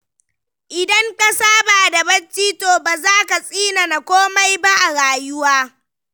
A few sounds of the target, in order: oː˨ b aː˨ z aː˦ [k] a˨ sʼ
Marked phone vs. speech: correct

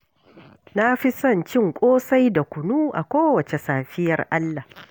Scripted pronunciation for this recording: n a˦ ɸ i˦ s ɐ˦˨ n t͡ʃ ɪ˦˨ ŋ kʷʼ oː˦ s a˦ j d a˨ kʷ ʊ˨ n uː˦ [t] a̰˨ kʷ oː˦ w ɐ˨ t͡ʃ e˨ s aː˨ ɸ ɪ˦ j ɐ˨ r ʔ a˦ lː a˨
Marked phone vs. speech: incorrect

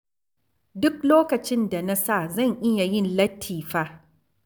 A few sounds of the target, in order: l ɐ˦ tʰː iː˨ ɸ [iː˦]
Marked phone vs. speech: incorrect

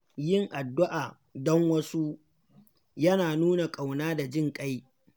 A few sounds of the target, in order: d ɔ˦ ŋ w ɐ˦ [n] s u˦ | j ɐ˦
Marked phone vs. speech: incorrect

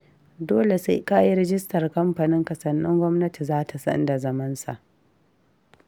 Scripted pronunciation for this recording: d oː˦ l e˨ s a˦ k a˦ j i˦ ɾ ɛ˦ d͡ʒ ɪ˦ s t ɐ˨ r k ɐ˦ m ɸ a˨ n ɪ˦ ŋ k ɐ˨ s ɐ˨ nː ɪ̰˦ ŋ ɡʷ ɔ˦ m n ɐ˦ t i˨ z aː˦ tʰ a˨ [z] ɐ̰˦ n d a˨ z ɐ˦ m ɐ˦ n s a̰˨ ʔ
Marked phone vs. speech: incorrect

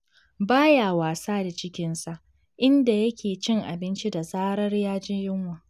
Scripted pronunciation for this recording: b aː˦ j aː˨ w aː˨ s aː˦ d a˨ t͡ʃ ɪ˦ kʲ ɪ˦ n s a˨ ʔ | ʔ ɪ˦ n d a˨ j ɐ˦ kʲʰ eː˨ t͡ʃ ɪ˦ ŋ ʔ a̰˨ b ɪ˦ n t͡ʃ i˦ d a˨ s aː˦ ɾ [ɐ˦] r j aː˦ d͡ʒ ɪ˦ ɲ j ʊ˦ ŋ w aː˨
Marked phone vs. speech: correct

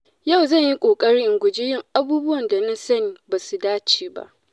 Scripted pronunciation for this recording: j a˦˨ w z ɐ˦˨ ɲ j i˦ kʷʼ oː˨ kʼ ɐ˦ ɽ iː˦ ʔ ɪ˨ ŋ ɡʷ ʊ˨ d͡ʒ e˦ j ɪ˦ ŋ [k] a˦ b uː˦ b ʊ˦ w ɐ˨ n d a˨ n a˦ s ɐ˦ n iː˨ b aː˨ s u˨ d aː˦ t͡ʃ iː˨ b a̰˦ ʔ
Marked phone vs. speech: incorrect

